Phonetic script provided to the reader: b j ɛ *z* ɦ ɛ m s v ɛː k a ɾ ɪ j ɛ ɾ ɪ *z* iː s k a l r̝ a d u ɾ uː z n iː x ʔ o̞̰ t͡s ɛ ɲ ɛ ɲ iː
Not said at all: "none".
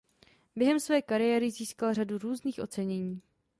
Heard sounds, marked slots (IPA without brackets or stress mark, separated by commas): none, z